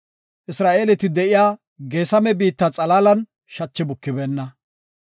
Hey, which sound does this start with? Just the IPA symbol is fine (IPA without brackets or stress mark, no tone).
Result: ʔ